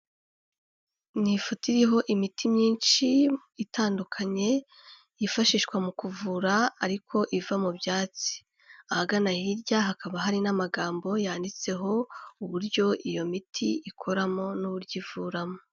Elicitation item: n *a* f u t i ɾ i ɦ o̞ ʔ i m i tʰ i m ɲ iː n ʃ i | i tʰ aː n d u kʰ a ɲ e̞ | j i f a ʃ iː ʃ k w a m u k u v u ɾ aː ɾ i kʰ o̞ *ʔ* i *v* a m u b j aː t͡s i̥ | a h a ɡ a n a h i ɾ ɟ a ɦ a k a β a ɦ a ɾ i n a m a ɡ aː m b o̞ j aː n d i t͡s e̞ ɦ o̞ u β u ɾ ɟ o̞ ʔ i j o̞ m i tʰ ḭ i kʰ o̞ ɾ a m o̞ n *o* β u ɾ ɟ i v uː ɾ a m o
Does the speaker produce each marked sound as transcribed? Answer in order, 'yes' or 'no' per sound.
no, yes, yes, no

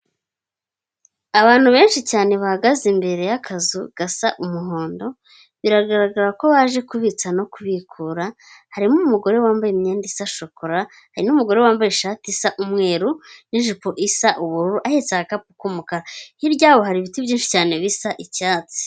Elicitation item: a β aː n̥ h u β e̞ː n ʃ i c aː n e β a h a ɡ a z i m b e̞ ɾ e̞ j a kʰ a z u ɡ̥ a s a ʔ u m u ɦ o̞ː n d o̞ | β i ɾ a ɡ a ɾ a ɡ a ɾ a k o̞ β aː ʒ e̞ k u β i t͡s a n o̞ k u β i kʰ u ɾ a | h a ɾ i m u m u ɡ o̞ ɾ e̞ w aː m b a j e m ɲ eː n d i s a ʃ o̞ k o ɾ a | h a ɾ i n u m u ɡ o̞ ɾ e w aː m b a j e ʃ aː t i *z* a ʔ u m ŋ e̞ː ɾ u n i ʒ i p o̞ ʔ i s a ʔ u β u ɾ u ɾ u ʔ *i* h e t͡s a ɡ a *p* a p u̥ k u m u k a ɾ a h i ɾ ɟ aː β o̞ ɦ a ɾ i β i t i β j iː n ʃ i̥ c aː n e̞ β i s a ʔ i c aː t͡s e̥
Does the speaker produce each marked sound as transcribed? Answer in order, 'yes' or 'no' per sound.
no, no, no

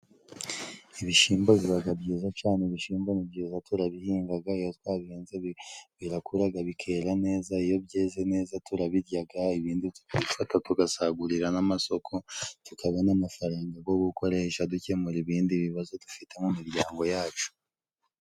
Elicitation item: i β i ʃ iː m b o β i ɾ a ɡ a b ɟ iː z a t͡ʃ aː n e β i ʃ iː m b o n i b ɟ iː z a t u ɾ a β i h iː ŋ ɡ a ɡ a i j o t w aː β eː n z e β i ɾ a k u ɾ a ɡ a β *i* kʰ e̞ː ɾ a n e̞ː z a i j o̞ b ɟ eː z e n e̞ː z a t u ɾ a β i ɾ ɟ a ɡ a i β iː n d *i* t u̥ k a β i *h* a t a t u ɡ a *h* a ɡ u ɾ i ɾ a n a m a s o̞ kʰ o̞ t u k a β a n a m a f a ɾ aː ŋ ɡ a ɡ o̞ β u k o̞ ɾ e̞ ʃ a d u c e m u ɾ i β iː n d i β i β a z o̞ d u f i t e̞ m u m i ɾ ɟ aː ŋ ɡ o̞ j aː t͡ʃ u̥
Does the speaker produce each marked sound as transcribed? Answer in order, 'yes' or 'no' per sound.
yes, yes, no, no

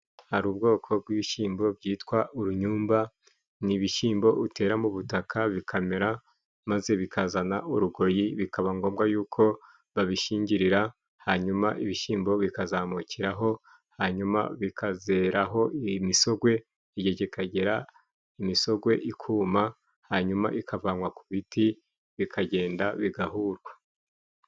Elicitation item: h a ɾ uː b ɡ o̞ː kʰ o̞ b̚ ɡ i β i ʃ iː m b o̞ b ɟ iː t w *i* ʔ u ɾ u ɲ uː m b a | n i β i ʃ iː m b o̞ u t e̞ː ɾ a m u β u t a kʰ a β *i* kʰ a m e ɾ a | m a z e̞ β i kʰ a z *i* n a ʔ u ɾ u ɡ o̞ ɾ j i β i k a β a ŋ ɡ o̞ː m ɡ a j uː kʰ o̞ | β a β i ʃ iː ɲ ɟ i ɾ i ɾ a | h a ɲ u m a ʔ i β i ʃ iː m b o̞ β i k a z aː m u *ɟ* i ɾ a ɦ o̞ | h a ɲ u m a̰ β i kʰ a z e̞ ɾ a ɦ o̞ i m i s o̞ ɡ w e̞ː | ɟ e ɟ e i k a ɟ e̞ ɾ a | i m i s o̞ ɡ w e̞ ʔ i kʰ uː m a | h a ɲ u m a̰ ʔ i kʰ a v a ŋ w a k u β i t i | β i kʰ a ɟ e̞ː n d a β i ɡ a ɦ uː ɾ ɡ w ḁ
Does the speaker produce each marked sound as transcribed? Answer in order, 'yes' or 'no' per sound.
no, yes, no, no

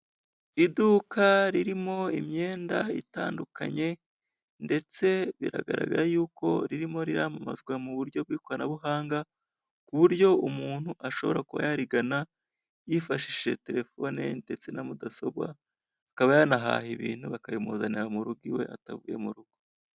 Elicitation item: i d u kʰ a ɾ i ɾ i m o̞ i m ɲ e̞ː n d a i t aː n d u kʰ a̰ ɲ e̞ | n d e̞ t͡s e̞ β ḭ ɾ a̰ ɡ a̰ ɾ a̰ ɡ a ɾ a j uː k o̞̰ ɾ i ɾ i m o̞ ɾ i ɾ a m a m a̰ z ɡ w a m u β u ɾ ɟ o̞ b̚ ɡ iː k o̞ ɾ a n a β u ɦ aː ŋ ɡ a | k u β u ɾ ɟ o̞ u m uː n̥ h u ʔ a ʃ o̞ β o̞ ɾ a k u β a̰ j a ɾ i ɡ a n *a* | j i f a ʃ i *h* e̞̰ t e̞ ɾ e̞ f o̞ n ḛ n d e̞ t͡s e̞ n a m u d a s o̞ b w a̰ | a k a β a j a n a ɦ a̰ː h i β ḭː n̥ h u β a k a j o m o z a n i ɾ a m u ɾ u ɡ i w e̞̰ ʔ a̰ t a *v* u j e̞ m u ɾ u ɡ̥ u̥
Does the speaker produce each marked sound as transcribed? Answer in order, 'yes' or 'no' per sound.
yes, no, yes

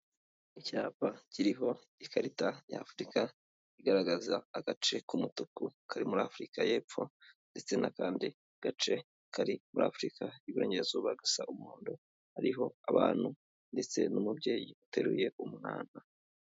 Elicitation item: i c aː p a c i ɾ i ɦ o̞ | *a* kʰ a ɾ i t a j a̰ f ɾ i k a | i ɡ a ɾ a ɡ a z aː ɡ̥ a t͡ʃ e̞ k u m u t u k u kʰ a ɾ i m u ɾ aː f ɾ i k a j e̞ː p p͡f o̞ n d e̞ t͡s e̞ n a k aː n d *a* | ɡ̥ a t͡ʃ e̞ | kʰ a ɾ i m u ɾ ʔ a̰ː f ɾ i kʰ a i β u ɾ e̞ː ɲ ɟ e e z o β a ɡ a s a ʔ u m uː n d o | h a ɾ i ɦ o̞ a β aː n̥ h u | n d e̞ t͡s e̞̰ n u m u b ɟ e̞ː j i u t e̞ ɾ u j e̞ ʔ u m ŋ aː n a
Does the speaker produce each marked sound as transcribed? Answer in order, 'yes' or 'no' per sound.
no, no

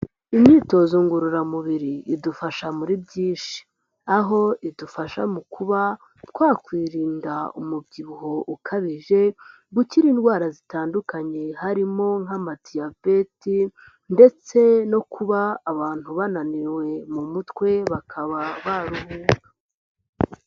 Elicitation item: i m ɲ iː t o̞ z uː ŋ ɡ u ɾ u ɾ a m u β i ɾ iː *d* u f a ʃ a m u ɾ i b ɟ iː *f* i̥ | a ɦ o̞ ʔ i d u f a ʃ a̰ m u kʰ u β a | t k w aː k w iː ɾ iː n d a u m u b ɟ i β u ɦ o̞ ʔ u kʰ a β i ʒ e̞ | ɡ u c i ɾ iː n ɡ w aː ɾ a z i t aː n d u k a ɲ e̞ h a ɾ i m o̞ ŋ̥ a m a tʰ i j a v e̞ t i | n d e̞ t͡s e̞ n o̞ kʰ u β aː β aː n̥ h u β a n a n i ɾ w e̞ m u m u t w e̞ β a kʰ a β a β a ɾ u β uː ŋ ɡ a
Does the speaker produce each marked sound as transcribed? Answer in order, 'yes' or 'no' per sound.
yes, no

